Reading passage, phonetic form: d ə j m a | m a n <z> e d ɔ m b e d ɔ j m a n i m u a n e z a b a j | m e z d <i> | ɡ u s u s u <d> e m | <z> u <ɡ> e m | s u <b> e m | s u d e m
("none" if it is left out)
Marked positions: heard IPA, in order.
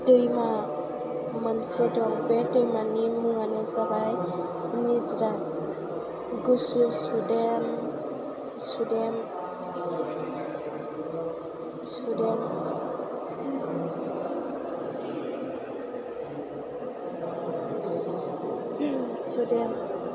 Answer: s, a, d, s, d, d

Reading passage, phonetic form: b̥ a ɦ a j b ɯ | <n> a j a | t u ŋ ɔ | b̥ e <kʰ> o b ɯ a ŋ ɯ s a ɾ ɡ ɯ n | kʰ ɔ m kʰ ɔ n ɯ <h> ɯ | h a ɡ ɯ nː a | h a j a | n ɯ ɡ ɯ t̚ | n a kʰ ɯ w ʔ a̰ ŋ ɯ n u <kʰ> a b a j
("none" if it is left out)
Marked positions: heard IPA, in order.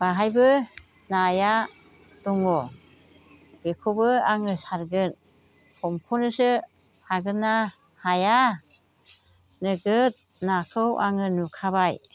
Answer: n, kʰ, s, kʰ

